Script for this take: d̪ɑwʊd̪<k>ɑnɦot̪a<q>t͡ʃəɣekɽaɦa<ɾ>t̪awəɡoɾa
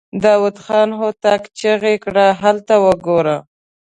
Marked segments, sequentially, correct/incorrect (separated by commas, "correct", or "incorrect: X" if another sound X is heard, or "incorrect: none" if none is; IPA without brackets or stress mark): incorrect: x, incorrect: k, incorrect: l